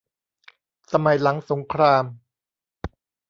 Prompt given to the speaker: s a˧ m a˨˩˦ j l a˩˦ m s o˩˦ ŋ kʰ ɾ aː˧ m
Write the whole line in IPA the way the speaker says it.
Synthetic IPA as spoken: s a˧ m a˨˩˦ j l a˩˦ ŋ s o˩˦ ŋ kʰ ɾ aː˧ m